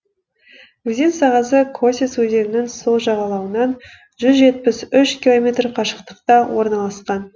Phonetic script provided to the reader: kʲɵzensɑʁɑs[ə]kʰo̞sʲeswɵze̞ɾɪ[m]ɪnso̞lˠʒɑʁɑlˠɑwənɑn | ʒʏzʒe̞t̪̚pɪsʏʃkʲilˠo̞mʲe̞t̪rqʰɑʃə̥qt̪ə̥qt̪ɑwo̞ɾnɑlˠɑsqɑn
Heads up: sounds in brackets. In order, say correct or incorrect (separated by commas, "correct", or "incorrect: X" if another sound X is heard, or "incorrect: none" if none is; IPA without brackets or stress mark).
correct, incorrect: n